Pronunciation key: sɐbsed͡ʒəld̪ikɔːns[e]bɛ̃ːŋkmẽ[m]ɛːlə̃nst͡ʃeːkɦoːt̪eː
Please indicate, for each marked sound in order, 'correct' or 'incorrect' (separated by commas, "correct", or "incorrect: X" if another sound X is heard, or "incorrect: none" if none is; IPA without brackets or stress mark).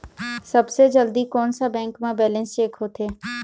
incorrect: a, incorrect: b